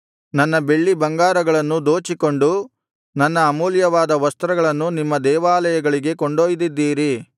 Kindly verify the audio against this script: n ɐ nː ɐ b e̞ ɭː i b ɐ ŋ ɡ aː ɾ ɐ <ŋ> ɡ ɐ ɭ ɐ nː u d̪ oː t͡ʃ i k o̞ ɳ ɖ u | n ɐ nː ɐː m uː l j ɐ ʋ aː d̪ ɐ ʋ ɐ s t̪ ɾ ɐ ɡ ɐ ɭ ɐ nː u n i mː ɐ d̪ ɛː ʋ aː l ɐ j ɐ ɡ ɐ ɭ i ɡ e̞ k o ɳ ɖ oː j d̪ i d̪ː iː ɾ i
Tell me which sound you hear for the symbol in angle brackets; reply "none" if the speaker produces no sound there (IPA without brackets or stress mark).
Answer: none